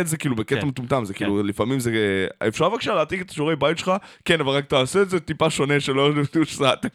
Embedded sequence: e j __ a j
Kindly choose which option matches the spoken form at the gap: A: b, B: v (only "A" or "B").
A